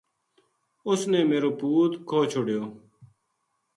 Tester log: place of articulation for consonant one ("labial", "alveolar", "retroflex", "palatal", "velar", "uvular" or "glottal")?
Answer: alveolar